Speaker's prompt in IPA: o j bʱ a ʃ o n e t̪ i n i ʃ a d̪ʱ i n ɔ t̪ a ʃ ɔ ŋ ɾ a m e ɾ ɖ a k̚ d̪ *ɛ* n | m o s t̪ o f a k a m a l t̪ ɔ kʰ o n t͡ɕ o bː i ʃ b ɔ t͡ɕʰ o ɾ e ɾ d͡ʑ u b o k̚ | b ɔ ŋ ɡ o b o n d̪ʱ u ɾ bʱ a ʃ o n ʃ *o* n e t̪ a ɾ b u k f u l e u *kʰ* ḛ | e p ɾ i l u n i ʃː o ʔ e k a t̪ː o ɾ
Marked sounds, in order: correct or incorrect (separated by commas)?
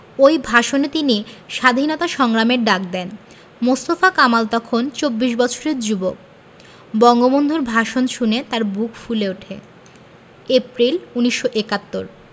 correct, incorrect, incorrect